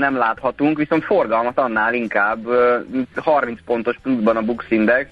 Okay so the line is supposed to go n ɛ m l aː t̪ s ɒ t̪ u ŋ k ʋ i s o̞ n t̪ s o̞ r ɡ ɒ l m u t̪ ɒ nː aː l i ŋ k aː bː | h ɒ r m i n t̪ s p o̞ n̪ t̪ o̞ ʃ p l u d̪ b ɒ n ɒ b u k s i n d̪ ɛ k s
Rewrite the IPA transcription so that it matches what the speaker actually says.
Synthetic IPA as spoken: n ɛ m l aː t̪ h ɒ t̪ u ŋ k ʋ i s o̞ n t̪ f o̞ r ɡ ɒ l m ɒ t̪ ɒ nː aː l i ŋ k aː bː | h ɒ r m i n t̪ s p o̞ n̪ t̪ o̞ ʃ p l u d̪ b ɒ n ɒ b u k s i n d̪ ɛ k s